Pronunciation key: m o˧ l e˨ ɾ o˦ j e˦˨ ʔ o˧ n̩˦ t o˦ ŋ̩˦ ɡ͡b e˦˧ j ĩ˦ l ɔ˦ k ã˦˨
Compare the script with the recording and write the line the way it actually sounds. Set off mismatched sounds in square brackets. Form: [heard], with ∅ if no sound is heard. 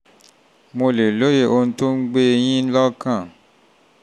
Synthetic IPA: m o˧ l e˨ [l] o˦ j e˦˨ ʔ o˧ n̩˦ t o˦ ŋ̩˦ ɡ͡b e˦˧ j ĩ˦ l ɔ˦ k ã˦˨